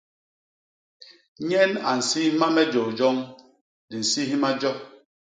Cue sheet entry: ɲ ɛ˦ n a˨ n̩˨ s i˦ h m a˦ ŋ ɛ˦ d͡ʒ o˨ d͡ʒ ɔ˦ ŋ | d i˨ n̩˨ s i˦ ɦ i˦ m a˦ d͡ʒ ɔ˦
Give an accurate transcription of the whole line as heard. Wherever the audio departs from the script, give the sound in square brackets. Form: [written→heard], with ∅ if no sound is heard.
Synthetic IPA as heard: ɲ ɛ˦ n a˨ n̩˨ s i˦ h m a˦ [ŋ→m] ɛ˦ d͡ʒ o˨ d͡ʒ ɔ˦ ŋ | d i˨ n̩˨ s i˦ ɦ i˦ m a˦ d͡ʒ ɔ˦